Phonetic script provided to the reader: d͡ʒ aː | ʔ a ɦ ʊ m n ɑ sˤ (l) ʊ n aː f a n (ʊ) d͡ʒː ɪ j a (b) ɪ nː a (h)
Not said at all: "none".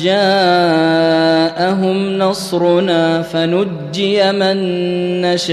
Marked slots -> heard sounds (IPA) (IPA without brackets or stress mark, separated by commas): ɾ, ʊ, m, ʃ